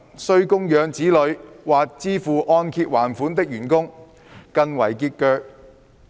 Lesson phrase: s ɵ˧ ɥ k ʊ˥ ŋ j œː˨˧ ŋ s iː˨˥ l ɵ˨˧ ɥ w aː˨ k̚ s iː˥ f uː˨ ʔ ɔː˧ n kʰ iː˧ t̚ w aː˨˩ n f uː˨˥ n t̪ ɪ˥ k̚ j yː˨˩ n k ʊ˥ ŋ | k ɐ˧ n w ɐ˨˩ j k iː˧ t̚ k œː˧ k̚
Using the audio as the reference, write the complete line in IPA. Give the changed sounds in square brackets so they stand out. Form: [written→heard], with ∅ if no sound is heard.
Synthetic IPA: s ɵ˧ ɥ k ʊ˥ ŋ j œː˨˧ ŋ [s→t͡s] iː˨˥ l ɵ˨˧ ɥ w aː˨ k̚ [s→t͡s] iː˥ f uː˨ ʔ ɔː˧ n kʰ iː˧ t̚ w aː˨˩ n f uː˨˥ n t̪ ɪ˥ k̚ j yː˨˩ n k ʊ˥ ŋ | k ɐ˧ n w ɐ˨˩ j k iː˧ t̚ k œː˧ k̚

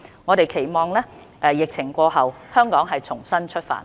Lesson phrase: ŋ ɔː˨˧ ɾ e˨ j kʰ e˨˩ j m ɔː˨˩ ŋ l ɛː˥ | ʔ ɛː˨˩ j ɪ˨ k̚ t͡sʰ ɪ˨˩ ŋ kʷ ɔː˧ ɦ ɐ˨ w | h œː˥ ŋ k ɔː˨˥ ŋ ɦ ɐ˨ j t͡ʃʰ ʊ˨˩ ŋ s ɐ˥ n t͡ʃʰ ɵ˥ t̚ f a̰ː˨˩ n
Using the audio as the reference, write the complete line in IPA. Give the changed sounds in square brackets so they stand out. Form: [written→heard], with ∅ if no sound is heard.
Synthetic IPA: ŋ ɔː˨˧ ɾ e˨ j kʰ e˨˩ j m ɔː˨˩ ŋ l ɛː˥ | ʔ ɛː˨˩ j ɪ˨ k̚ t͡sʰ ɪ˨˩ ŋ kʷ ɔː˧ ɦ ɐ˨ w | h œː˥ ŋ k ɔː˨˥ ŋ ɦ ɐ˨ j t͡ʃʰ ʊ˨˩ ŋ s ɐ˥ n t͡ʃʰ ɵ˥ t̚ f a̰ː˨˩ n

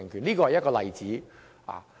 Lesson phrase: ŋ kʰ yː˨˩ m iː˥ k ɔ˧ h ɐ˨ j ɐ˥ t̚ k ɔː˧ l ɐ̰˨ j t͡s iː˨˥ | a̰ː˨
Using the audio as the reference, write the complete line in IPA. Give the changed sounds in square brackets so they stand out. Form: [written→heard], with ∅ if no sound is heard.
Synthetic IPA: ŋ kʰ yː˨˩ [m→n] iː˥ k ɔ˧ h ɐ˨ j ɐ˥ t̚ k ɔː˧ l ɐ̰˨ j t͡s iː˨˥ | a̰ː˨

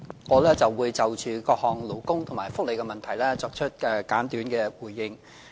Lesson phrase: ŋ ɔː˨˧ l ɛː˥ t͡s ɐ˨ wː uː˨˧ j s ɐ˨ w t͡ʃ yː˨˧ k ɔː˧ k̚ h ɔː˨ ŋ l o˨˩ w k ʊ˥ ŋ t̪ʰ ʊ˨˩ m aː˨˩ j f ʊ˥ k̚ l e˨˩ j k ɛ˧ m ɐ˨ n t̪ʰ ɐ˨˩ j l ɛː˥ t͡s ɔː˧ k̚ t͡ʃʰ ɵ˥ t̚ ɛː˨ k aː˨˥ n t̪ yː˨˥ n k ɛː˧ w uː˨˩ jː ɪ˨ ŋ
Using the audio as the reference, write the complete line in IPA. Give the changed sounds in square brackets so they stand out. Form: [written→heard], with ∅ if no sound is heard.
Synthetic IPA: ŋ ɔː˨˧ l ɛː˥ t͡s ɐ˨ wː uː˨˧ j [s→t͡s] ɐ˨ w t͡ʃ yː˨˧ k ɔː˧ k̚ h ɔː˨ ŋ l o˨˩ w k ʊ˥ ŋ t̪ʰ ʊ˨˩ m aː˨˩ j f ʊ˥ k̚ l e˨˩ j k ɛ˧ m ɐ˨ n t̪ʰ ɐ˨˩ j l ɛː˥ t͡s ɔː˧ k̚ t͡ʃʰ ɵ˥ t̚ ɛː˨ k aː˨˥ n t̪ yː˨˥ n k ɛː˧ w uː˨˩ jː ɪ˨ ŋ

